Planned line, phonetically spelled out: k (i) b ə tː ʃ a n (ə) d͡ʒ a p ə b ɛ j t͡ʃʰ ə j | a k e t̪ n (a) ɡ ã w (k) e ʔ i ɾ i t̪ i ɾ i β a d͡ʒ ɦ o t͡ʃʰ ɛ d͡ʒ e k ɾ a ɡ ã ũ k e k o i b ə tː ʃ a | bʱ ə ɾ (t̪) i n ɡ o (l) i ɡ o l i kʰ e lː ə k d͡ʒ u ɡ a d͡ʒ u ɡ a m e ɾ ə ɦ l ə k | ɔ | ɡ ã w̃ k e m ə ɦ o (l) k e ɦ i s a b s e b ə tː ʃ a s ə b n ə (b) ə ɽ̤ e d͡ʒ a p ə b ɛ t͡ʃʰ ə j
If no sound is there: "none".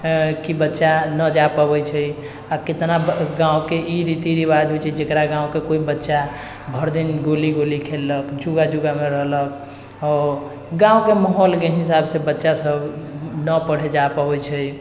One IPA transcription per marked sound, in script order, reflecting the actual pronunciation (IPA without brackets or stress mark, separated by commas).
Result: i, ə, a, k, d̪, l, l, p